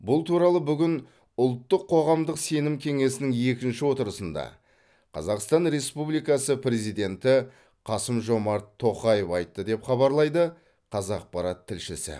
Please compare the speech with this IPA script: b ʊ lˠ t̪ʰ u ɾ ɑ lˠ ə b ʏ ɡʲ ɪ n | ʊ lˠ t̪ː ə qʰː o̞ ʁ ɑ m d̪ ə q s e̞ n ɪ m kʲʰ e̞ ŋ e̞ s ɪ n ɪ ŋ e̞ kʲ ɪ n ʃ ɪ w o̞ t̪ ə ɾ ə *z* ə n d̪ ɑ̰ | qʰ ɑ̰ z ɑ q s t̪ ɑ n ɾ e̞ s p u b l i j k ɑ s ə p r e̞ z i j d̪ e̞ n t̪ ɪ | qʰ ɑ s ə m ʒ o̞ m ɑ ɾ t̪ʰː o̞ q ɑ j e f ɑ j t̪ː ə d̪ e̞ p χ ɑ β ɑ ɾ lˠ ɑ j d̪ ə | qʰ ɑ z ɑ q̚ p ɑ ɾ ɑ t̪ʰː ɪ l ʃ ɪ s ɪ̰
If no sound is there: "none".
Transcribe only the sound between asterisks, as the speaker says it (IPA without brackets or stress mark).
s